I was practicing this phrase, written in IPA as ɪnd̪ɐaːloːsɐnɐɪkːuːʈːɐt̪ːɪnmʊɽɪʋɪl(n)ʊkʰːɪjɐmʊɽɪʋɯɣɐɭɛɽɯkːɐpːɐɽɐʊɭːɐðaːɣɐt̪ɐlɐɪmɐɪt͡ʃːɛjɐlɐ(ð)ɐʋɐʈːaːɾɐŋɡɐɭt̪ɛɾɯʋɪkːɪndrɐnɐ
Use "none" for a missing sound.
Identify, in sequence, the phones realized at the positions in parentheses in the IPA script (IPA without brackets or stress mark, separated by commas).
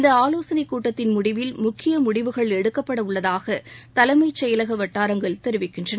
m, ɣ